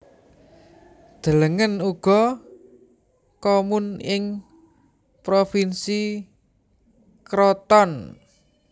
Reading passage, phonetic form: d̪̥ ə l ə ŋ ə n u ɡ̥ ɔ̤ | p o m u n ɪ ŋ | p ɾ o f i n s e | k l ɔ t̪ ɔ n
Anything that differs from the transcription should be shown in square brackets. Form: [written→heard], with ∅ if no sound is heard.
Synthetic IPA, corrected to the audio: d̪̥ ə l ə ŋ ə n u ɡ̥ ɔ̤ | [p→k] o m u n ɪ ŋ | p ɾ o f i n s [e→i] | k [l→ɾ] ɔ t̪ ɔ n

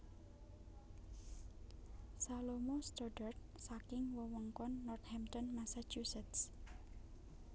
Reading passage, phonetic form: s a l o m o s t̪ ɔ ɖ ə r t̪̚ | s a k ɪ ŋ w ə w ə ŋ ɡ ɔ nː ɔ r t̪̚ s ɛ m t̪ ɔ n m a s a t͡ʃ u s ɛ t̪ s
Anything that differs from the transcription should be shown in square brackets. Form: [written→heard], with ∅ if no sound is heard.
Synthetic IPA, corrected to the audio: s a l o m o s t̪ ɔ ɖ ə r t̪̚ | s a k ɪ ŋ w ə w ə ŋ [ɡ→k] ɔ nː ɔ r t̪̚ [s→h] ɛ m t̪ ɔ n m a s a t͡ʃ u s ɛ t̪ s

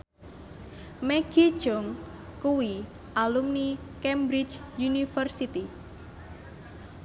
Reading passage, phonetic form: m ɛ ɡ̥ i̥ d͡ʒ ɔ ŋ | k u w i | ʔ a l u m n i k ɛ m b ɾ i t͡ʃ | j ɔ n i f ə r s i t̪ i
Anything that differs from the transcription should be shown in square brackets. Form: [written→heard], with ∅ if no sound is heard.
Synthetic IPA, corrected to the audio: m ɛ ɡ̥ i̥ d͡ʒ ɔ ŋ | k u w i | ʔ a l u m n i k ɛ m b ɾ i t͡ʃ | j [ɔ→u] n i f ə r s i t̪ i

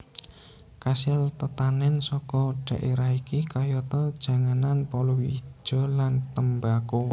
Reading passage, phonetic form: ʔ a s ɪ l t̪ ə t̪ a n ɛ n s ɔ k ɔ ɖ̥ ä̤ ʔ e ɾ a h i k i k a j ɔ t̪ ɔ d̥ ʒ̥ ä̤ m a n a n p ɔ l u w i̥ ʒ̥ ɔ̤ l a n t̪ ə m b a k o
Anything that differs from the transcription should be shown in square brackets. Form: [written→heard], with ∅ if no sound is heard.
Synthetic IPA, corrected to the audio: [ʔ→k] a s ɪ l t̪ ə t̪ a n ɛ n s ɔ k ɔ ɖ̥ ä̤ ʔ e ɾ a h i k i k a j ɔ t̪ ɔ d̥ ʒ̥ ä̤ [m→ŋ] a n a n p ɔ l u w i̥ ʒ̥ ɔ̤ l a n t̪ ə m b a k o

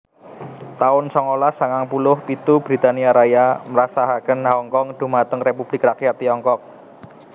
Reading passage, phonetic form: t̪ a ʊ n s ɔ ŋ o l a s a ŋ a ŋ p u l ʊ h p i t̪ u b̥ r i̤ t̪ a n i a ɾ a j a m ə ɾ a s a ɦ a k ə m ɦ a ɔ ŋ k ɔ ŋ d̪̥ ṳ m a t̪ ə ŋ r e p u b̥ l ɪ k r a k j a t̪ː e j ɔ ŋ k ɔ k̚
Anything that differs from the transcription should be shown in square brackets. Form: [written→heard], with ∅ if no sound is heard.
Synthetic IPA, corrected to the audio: t̪ a ʊ n s ɔ ŋ o l a s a ŋ a ŋ p u l ʊ h p i t̪ u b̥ [r→ɾ] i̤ t̪ a n i a ɾ a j a m ə ɾ a s a ɦ a k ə [m→n] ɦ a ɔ ŋ k ɔ ŋ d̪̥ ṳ m a t̪ ə ŋ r e p u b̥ l ɪ k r a k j a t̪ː [e→i] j ɔ ŋ k ɔ k̚

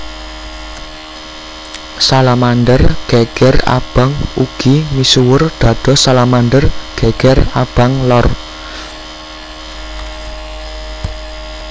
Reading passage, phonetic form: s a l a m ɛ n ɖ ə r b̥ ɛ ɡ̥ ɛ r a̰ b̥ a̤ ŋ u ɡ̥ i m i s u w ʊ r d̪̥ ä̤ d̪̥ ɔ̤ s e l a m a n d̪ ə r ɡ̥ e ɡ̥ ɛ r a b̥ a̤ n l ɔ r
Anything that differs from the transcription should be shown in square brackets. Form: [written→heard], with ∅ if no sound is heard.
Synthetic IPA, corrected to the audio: s a l a m [ɛ→a] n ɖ ə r [b̥→ɡ̥] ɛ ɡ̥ ɛ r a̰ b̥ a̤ ŋ u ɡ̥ i m i s u w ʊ r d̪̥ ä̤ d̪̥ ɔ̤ s [e→a] l a m a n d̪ ə r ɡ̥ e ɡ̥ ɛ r a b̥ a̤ [n→ŋ] l ɔ r

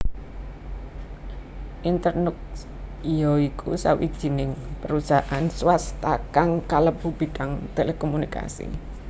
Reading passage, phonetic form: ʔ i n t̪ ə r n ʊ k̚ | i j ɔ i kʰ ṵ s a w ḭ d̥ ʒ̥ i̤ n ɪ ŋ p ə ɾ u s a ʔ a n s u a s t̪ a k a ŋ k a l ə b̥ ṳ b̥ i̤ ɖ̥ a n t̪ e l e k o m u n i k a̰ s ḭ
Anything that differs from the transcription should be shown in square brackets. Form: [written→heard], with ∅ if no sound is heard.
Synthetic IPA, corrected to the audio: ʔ i n t̪ ə r n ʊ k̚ | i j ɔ i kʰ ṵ s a w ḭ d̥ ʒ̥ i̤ n ɪ ŋ p ə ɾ u s a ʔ a n s [u→w] a s t̪ a k a ŋ k a l ə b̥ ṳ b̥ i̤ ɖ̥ a [n→ŋ] t̪ e l e k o m u n i k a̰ s ḭ

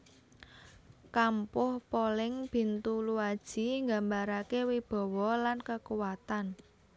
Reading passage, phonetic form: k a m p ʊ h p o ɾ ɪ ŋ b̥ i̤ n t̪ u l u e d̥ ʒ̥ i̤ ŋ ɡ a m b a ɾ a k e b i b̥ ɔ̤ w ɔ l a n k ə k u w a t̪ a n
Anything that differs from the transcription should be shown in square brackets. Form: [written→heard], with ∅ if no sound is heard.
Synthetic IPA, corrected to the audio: k a m p ʊ h p o [ɾ→l] ɪ ŋ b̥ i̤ n t̪ u l u [e→a] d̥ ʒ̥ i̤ ŋ ɡ a m b a ɾ a k e [b→w] i b̥ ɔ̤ w ɔ l a n k ə k u w a t̪ a n

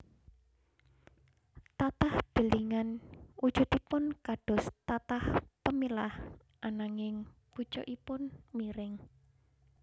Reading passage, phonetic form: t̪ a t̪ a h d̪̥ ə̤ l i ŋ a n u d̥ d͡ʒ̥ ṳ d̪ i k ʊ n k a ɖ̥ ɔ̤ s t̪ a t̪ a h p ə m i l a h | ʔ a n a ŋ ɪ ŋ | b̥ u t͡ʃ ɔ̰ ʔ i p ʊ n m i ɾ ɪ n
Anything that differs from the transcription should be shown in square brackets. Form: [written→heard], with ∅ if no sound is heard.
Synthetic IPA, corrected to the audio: t̪ a t̪ a h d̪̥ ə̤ l i ŋ a n u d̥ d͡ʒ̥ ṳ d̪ i [k→p] ʊ n k a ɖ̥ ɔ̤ s t̪ a t̪ a h p ə m i l a h | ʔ a n a ŋ ɪ ŋ | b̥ u t͡ʃ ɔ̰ ʔ i p ʊ n m i ɾ ɪ [n→ŋ]

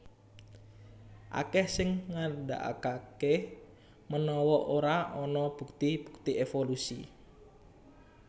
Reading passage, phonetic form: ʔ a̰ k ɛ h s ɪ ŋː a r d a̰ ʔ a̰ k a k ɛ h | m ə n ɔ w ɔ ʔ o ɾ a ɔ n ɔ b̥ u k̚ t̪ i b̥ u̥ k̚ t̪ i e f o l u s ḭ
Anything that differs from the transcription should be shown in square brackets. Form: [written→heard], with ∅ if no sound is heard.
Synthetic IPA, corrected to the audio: ʔ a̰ k ɛ h s ɪ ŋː a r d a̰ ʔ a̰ k a k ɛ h | m ə n ɔ w ɔ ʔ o ɾ a ɔ n ɔ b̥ u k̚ t̪ i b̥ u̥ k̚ t̪ i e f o l u s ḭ

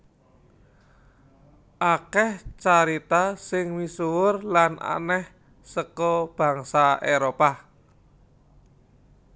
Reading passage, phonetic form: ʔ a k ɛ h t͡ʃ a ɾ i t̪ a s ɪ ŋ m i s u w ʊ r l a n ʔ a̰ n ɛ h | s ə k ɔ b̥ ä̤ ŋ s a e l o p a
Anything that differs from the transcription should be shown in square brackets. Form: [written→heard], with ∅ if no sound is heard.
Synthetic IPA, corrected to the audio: ʔ a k ɛ h t͡ʃ a ɾ i t̪ a s ɪ ŋ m i s u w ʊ r l a n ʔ a̰ n ɛ h | s ə k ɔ b̥ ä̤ ŋ s a e [l→ɾ] o p a

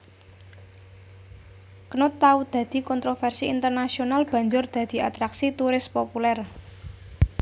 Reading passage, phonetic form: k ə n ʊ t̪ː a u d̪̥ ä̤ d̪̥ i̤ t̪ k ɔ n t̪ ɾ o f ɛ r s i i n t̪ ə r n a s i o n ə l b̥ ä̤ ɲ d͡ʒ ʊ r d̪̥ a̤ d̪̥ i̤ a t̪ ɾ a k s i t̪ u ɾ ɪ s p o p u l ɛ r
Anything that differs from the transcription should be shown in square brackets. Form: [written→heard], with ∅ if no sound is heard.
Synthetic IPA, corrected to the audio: k ə n ʊ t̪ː a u d̪̥ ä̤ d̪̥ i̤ [t̪→∅] k ɔ n t̪ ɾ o f ɛ r s i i n t̪ ə r n a s i o n [ə→a] l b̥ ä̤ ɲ d͡ʒ ʊ r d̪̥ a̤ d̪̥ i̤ a t̪ ɾ a k s i t̪ u ɾ ɪ s p o p u l ɛ r

